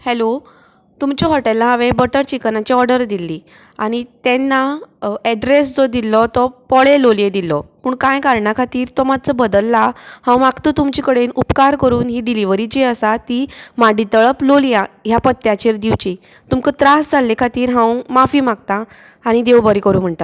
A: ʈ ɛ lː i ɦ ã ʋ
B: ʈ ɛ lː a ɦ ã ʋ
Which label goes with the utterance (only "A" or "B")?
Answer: B